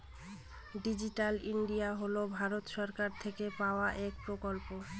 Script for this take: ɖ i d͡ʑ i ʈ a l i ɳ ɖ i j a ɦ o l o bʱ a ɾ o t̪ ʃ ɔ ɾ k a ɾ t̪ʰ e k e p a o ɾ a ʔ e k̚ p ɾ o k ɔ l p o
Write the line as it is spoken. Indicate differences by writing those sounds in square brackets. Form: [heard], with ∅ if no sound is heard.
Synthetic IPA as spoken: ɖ i d͡ʑ i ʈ a l i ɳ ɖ i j a ɦ o l o bʱ a ɾ o t̪ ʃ ɔ ɾ k a ɾ t̪ʰ e k e p a o [∅] a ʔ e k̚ p ɾ o k [o] l p o